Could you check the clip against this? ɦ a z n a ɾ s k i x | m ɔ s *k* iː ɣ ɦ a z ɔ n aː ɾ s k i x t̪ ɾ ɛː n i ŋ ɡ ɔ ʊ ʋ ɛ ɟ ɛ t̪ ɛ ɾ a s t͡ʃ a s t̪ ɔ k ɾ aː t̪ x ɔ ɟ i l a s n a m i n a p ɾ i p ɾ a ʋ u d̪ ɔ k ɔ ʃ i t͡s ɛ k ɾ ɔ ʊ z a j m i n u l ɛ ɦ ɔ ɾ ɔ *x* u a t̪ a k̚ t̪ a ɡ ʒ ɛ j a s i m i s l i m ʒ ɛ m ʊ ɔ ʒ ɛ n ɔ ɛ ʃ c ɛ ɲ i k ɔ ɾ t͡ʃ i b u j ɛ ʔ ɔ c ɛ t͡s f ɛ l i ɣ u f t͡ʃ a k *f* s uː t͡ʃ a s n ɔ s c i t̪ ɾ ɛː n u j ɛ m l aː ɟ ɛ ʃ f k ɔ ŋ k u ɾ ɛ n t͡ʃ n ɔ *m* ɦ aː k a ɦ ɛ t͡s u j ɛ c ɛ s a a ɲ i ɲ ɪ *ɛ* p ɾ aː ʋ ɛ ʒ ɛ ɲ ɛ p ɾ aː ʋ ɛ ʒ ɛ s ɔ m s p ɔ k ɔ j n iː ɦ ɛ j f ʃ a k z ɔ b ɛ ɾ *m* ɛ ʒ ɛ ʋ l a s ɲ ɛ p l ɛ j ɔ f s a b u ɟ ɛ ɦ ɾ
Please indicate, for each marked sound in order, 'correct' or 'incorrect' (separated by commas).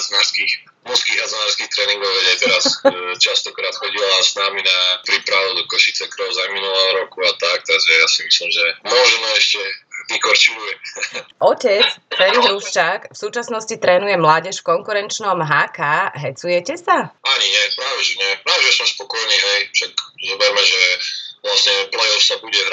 correct, incorrect, correct, correct, correct, correct